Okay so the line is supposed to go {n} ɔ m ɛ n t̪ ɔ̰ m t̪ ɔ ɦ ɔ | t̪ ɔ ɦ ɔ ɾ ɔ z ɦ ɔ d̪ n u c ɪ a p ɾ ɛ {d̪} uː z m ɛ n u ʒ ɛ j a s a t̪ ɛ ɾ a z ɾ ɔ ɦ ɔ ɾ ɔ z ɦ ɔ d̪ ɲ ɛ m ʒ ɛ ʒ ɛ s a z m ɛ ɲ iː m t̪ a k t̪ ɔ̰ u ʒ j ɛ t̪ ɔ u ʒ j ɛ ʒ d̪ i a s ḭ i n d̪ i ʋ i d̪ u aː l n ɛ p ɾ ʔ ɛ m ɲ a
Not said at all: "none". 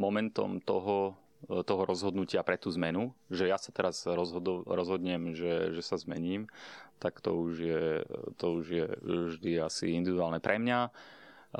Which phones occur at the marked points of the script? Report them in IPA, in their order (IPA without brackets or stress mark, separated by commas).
m, t̪